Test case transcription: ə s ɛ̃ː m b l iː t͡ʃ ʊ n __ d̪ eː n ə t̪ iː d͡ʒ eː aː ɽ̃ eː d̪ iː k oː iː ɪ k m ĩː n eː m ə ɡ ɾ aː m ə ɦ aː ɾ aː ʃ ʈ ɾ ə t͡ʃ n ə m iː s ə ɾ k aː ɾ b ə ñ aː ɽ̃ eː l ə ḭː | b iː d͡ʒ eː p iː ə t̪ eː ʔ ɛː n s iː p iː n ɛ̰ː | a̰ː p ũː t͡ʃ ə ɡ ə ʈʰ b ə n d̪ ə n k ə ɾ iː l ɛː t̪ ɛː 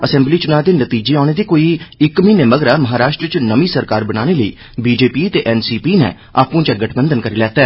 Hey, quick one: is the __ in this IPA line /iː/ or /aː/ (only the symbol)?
aː